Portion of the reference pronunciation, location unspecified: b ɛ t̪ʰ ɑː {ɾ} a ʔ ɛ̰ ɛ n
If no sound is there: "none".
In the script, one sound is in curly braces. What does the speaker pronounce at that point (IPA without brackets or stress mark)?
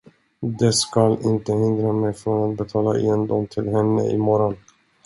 l